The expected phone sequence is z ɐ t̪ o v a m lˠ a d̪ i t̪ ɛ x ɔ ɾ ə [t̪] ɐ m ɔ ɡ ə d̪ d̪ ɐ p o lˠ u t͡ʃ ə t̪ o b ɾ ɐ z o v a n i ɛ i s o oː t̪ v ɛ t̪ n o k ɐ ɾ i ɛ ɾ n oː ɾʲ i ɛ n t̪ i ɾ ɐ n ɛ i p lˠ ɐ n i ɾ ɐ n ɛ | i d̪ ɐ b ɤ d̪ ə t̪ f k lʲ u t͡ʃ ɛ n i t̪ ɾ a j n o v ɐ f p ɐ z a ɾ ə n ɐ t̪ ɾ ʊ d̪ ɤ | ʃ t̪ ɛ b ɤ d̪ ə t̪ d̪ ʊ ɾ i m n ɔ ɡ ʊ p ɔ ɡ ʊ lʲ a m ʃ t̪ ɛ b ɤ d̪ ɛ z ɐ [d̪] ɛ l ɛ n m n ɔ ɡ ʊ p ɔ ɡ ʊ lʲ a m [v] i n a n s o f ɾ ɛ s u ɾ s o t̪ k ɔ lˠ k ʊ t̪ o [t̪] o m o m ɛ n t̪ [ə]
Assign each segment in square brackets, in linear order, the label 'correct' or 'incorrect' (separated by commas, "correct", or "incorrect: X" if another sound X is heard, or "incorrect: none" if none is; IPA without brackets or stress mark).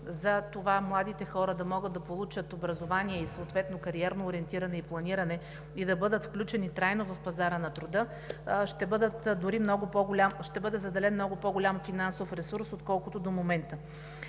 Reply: incorrect: d̪, correct, incorrect: f, incorrect: d̪, correct